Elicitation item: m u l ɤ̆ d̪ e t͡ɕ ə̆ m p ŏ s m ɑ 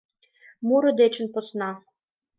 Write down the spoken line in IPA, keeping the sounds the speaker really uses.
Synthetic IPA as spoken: m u ɾ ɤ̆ d̪ e t͡ɕ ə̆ n p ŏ s n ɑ